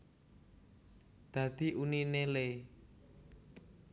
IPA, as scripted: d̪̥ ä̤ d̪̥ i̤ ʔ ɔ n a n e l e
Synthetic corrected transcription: d̪̥ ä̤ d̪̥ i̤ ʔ u n i n e l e